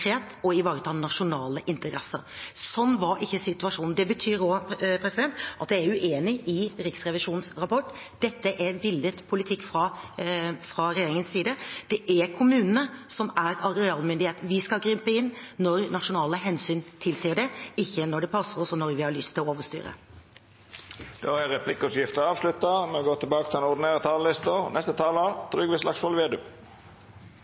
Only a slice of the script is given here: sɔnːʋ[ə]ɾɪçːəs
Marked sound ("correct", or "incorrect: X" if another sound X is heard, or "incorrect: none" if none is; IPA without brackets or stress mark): incorrect: ɑ